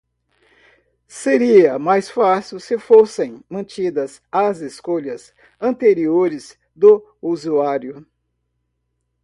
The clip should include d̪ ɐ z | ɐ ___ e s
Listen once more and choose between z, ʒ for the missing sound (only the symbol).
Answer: z